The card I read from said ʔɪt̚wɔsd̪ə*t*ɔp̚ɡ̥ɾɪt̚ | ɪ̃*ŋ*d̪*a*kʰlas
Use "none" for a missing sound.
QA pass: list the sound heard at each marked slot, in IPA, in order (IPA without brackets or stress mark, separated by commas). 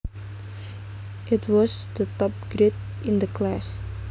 t, n, ə